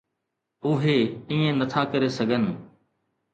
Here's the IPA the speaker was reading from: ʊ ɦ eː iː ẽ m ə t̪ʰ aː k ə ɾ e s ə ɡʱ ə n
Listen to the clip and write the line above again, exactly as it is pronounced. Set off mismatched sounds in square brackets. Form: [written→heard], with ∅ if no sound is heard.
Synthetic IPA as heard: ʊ ɦ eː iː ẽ [m→n] ə t̪ʰ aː k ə ɾ e s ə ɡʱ ə n